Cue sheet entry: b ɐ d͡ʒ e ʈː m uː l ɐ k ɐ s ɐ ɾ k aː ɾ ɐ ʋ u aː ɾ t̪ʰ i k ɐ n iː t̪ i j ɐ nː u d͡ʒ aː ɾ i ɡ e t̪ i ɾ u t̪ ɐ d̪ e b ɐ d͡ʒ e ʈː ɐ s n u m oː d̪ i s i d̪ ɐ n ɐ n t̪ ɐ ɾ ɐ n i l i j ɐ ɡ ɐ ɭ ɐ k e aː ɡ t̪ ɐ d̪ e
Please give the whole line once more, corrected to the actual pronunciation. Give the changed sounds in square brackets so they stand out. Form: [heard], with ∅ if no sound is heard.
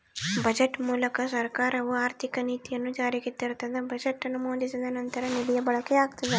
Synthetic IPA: b ɐ d͡ʒ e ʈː m uː l ɐ k ɐ s ɐ ɾ k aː ɾ ɐ ʋ u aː ɾ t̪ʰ i k ɐ n iː t̪ i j ɐ nː u d͡ʒ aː ɾ i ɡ e t̪ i ɾ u t̪ ɐ d̪ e b ɐ d͡ʒ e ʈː ɐ [∅] n u m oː d̪ i s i d̪ ɐ n ɐ n t̪ ɐ ɾ ɐ n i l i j ɐ [b] ɐ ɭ ɐ k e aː ɡ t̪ ɐ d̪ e